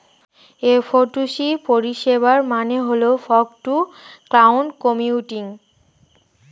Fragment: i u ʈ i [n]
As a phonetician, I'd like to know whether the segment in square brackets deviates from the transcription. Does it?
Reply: yes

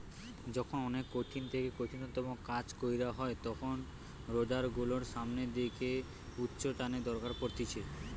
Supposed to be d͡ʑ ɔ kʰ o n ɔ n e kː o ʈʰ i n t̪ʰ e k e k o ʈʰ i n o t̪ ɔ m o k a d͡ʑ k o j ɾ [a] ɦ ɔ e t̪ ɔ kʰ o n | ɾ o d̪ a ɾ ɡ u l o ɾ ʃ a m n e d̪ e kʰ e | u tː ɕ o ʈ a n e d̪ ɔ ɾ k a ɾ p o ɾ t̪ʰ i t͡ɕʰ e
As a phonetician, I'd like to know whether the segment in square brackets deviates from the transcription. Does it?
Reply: no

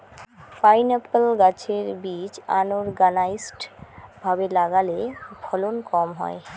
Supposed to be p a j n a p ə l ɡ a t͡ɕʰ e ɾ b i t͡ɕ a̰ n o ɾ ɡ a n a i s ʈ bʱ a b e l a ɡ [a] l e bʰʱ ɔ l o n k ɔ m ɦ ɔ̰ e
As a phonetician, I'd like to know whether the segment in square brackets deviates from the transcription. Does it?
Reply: no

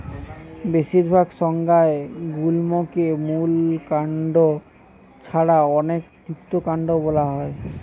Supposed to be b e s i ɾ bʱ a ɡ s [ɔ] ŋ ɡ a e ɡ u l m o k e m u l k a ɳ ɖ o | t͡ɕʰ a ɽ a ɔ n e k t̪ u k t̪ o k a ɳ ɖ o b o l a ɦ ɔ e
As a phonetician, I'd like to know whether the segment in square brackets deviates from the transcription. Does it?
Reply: no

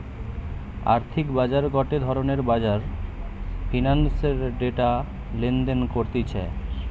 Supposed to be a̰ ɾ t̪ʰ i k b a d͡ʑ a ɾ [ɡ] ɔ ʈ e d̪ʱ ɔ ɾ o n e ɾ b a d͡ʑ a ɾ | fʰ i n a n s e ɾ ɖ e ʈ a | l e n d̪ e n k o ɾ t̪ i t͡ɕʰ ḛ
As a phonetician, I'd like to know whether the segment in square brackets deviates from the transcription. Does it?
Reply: no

